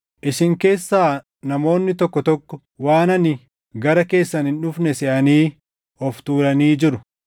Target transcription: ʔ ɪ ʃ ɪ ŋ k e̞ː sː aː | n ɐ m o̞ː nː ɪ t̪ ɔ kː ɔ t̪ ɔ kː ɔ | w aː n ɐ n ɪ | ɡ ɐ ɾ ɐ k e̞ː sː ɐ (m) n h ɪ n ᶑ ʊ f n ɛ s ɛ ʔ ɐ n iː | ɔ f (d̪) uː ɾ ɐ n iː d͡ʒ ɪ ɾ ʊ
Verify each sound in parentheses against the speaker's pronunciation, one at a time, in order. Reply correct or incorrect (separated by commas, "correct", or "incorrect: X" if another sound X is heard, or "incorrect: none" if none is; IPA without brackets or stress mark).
incorrect: none, incorrect: t̪